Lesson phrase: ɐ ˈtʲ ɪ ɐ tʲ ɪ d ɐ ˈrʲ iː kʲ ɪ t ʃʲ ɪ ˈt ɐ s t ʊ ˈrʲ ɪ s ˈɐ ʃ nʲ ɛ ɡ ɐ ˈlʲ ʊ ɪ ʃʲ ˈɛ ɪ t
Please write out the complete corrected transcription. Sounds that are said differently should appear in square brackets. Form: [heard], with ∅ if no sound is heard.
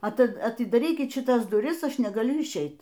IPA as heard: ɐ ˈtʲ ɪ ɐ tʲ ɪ d ɐ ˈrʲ iː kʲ ɪ t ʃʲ ɪ ˈt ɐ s [d] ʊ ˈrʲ ɪ s ˈɐ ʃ nʲ ɛ ɡ ɐ ˈlʲ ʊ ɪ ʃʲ ˈɛ ɪ t